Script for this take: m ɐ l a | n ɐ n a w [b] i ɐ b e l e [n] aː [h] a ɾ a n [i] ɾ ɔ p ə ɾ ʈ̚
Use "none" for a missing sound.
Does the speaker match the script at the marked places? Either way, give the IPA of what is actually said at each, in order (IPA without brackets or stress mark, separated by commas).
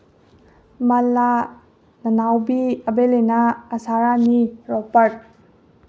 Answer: b, n, s, i